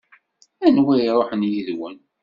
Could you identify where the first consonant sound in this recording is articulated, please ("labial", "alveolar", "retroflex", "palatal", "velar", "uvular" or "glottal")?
alveolar